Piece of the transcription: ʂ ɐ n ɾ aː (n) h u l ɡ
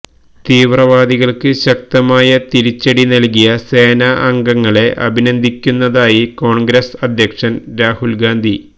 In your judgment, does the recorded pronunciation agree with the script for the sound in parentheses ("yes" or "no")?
no